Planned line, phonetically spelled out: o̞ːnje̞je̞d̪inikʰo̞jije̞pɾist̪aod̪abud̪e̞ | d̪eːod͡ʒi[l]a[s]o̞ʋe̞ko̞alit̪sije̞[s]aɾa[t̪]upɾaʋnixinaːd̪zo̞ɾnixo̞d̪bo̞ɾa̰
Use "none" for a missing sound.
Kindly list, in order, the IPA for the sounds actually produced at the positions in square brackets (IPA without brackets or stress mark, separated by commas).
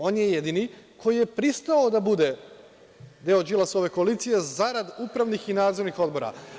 l, s, z, d̪